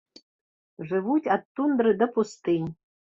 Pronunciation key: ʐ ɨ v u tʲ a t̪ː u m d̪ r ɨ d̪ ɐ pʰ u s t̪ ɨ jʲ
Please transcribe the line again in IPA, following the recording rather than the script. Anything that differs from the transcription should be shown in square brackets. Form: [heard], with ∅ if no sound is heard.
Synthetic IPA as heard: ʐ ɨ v u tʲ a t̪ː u [n] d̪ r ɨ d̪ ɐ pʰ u s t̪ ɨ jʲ

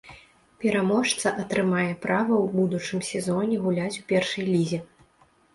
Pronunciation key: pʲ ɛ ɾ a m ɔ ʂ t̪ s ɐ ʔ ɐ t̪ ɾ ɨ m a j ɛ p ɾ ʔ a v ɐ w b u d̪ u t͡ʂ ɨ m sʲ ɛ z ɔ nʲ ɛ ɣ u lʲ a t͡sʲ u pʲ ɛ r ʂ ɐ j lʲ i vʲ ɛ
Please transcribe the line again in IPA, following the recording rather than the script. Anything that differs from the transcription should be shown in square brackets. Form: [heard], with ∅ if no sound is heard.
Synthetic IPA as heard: pʲ ɛ ɾ a m ɔ ʂ t̪ s ɐ ʔ ɐ t̪ ɾ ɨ m a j ɛ p ɾ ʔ a v ɐ w b u d̪ u t͡ʂ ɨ m sʲ ɛ z ɔ nʲ ɛ ɣ u lʲ a t͡sʲ u pʲ ɛ r ʂ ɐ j lʲ i [zʲ] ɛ

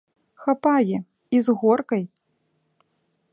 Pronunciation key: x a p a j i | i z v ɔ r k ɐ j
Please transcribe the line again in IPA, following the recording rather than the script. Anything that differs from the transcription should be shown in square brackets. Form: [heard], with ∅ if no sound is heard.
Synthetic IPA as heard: x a p a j [ɛ] | i z [ɣ] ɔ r k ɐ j

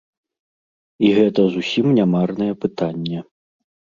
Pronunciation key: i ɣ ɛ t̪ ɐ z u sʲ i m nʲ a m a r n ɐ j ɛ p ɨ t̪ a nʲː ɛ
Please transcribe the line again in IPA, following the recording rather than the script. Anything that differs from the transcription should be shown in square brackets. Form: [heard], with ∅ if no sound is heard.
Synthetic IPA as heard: i ɣ ɛ t̪ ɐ z u sʲ i m nʲ a m a r n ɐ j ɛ p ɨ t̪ a nʲː ɛ

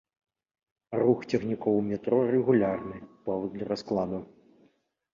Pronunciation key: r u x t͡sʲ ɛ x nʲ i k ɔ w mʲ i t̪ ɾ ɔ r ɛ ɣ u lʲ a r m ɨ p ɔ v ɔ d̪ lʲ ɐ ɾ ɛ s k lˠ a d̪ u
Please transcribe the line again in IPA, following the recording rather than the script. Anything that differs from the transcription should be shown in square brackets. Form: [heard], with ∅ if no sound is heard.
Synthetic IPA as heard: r u x t͡sʲ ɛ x nʲ i k ɔ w mʲ [ɛ] t̪ ɾ ɔ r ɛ ɣ u lʲ a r [n] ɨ p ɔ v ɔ d̪ lʲ ɐ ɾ [a] s k lˠ a d̪ u

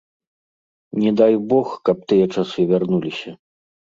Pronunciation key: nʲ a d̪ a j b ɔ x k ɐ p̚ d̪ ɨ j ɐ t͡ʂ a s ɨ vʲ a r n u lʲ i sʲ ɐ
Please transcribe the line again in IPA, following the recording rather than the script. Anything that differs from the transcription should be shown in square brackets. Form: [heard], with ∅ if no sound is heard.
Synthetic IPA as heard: nʲ [ɛ] d̪ a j b ɔ x k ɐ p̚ [t̪] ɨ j ɐ t͡ʂ a s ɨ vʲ a r n u lʲ i sʲ ɐ

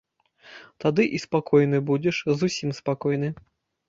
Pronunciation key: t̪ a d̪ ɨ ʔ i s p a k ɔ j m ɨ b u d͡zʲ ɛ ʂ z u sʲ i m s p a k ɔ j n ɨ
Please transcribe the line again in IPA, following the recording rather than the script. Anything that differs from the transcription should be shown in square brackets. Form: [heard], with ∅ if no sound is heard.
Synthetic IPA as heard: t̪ a d̪ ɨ ʔ i s p a k ɔ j [n] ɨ b u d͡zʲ ɛ ʂ z u sʲ i m s p a k ɔ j n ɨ

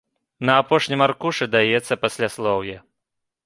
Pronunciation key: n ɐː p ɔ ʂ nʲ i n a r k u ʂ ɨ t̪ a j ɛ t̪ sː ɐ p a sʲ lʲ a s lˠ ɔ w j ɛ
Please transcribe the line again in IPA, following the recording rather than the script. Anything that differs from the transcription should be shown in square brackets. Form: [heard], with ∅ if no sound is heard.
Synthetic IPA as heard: n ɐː p ɔ ʂ nʲ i [m] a r k u ʂ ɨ [d̪] a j ɛ t̪ sː ɐ p a sʲ lʲ a s lˠ ɔ w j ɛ

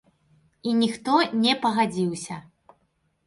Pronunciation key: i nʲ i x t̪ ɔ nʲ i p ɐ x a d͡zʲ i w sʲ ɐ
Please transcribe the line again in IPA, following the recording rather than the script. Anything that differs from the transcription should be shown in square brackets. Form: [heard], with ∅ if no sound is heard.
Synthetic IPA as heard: i nʲ i x t̪ ɔ nʲ [ɛ] p ɐ [ɣ] a d͡zʲ i w sʲ ɐ

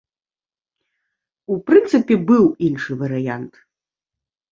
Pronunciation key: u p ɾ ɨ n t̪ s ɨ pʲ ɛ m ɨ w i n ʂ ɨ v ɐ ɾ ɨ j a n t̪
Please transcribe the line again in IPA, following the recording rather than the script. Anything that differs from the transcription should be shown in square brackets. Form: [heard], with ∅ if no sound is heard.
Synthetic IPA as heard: u p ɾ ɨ n t̪ s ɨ pʲ ɛ [b] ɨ w i n ʂ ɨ v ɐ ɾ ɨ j a n t̪

